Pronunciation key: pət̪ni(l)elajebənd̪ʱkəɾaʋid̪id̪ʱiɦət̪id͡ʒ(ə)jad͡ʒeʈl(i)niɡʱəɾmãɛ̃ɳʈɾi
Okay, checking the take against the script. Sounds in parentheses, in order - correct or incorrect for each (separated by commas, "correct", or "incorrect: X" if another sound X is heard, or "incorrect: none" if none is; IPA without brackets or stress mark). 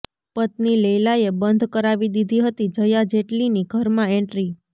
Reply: correct, correct, correct